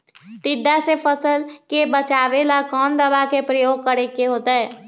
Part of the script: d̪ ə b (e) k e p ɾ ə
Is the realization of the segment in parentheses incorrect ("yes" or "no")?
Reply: yes